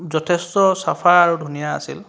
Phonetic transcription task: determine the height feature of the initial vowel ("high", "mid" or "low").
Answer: mid